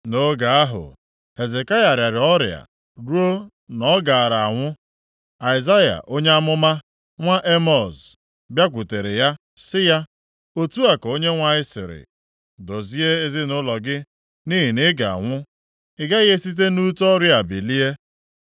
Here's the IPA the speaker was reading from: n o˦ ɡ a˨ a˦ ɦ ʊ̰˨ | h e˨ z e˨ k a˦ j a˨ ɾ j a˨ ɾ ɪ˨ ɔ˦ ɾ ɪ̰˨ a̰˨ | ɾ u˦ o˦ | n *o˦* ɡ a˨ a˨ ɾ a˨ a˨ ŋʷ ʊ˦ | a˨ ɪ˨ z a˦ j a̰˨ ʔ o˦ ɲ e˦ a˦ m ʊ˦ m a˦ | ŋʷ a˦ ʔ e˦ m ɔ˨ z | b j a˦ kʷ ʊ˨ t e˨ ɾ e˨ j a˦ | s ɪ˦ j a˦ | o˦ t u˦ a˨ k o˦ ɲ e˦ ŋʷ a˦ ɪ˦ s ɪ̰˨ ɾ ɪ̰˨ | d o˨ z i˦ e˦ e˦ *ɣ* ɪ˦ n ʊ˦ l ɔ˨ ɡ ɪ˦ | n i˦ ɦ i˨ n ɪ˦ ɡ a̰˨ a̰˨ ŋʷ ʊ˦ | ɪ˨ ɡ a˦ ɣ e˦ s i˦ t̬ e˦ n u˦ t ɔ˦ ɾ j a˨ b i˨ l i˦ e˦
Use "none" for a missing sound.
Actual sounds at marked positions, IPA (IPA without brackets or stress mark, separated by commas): ɔ˦, z